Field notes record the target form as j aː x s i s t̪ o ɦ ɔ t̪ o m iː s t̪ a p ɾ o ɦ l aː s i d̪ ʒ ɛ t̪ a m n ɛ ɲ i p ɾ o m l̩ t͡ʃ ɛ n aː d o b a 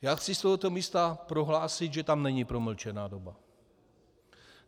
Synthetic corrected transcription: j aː x t͡s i s t̪ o ɦ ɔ t̪ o m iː s t̪ a p ɾ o ɦ l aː s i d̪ ʒ ɛ t̪ a m n ɛ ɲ i p ɾ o m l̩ t͡ʃ ɛ n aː d o b a